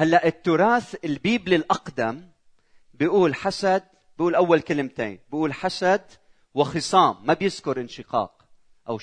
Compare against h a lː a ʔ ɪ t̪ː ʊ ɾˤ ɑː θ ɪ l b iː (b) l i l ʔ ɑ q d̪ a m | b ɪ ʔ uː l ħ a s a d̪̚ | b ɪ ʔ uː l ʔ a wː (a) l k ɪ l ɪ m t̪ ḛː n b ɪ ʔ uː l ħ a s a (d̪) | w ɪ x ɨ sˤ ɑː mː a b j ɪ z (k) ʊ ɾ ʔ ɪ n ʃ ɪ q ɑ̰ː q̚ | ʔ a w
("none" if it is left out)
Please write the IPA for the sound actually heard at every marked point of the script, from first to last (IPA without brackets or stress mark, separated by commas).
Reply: b, a, d̪, k